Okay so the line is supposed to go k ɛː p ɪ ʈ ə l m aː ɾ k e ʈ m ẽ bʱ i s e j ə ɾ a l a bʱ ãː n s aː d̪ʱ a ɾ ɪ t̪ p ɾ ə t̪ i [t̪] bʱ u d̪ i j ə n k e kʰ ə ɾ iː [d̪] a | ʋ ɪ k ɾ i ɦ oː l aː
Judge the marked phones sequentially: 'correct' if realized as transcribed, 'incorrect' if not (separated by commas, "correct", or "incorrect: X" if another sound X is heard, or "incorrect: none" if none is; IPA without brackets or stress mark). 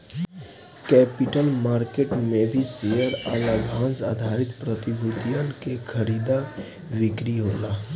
incorrect: none, correct